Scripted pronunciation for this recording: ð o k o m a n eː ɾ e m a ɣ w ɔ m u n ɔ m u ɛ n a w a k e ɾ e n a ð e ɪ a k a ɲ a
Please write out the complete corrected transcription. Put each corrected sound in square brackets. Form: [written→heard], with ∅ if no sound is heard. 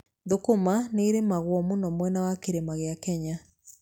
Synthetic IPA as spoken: ð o k o m a n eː ɾ e m a ɣ w ɔ m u n ɔ m [u→w] ɛ n a w a k e ɾ e [n→m] a [ð→ɣ] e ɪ a k [a→ɛ] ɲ a